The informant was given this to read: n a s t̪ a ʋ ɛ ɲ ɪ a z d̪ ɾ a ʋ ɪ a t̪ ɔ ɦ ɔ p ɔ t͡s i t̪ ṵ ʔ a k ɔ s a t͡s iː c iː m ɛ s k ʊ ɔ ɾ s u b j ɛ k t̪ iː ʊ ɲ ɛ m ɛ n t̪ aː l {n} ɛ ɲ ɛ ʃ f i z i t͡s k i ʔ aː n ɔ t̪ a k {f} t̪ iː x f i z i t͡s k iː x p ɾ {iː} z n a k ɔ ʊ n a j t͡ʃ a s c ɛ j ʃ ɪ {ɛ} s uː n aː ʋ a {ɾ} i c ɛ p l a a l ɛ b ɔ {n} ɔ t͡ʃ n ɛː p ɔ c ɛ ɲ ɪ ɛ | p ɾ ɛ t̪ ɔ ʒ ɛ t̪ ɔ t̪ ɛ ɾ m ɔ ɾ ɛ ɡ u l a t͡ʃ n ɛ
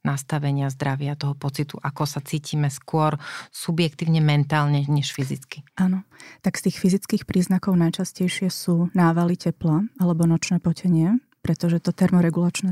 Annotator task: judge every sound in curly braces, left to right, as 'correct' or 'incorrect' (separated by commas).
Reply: incorrect, incorrect, correct, correct, incorrect, correct